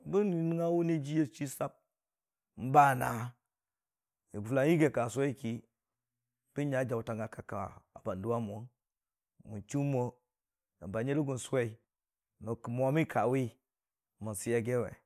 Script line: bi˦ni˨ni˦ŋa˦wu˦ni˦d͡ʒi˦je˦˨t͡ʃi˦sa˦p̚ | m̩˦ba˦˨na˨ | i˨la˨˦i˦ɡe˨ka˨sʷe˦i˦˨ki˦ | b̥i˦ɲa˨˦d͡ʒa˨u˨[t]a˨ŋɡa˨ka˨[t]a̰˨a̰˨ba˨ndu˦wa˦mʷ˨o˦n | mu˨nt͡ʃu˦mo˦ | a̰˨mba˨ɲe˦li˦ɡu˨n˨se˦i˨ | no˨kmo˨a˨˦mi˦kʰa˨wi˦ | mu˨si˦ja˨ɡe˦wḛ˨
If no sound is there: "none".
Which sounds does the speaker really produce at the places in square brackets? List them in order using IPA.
t, k

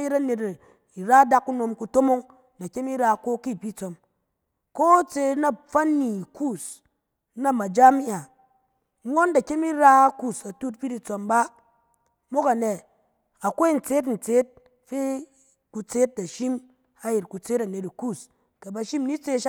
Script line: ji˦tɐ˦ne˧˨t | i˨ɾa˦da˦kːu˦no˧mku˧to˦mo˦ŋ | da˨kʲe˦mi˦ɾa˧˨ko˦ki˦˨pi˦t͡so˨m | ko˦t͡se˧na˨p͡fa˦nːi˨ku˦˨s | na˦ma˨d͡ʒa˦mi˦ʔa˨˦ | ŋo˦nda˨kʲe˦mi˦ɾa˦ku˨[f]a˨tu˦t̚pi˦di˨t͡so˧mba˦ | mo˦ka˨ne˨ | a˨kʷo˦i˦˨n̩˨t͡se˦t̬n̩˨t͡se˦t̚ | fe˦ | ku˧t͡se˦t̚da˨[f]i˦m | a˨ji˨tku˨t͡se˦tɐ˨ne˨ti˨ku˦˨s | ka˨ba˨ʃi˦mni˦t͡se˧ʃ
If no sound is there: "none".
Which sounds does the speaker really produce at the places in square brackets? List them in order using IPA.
s, ʃ

